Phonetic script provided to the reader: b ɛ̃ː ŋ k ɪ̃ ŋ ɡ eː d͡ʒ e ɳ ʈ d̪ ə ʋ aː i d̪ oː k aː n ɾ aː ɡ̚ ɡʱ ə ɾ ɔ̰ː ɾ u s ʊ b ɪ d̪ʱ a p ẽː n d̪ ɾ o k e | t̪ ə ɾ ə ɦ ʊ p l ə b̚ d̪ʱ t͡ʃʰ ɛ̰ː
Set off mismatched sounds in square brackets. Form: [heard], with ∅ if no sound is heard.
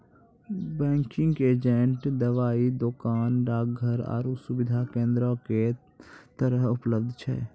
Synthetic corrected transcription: b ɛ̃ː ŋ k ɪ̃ ŋ ɡ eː d͡ʒ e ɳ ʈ d̪ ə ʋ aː i d̪ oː k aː n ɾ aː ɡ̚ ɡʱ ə ɾ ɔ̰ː ɾ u s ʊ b ɪ d̪ʱ a [k] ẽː n d̪ ɾ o k e | t̪ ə ɾ ə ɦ ʊ p l ə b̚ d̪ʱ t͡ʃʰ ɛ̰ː